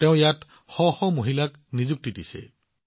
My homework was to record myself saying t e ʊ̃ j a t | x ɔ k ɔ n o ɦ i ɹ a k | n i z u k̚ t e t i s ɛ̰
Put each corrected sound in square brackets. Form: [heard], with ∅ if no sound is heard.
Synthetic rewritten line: t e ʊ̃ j a t | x ɔ [x] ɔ [m] o ɦ i [l] a k | n i z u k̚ t [i] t i s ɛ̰